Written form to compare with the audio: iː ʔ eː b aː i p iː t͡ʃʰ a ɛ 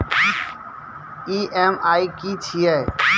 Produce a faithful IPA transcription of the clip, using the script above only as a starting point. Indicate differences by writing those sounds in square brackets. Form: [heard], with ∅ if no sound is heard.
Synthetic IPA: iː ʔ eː [m] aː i [k] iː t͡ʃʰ [i] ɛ